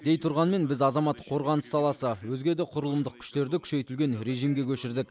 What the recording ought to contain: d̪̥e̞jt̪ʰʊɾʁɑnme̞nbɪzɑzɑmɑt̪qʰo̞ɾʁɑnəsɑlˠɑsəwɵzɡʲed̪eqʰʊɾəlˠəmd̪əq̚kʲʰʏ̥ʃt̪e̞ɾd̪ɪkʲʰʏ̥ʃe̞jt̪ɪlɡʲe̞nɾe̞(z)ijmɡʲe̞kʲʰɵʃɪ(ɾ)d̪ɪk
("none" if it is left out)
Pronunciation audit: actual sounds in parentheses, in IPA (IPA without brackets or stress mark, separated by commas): ʒ, ɾ